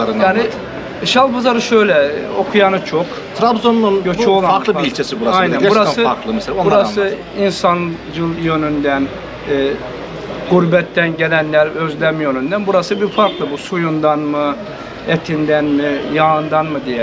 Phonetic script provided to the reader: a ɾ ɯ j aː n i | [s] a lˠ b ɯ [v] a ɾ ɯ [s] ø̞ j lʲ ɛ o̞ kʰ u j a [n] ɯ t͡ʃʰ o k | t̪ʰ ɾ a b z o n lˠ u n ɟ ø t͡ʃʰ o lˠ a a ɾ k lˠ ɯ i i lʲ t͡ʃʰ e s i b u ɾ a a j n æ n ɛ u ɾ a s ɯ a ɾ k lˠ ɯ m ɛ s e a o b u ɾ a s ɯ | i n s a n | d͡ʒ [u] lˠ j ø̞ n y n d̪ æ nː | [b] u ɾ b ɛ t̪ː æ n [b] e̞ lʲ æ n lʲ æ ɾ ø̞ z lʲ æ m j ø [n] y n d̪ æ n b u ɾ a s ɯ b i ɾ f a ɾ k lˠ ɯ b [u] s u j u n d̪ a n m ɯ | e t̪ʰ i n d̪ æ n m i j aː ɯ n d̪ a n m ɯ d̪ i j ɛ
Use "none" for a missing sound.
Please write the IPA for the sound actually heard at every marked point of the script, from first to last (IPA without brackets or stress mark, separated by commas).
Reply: ʃ, z, ʃ, n, ɯ, ɡ, ɟ, n, u